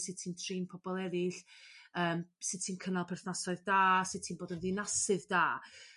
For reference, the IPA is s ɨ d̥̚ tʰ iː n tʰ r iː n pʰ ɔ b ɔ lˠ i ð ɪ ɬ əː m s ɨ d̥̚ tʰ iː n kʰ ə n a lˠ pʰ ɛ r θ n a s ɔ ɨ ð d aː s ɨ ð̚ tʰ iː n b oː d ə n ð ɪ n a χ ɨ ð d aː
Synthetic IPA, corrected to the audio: s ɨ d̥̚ tʰ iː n tʰ r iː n pʰ ɔ b ɔ lˠ ɛ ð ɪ ɬ əː m s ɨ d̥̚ tʰ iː n kʰ ə n a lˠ pʰ ɛ r θ n a s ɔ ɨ ð d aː s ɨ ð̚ tʰ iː n b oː d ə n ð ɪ n a s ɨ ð d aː